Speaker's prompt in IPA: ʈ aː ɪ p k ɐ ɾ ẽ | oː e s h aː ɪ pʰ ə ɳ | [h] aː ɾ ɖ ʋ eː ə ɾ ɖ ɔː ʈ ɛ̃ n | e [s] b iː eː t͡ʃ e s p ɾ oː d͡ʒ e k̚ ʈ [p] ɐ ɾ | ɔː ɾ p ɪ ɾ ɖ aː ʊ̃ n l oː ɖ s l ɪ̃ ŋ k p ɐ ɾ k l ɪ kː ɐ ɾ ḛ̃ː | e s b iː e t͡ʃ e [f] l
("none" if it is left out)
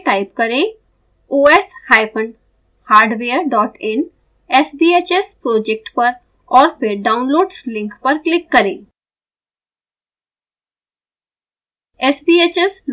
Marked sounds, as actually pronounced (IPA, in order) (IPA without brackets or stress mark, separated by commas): h, s, p, s